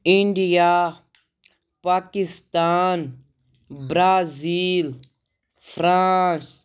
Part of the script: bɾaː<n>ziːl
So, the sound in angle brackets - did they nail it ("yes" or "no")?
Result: no